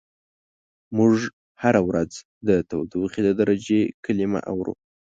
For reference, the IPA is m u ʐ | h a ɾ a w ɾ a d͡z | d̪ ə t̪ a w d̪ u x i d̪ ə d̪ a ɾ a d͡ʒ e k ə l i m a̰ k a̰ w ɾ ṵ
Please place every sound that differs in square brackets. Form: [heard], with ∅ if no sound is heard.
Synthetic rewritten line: m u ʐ | h a ɾ a w ɾ a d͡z | d̪ ə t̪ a w d̪ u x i d̪ ə d̪ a ɾ a d͡ʒ e k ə l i m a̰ [ʔ] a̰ w ɾ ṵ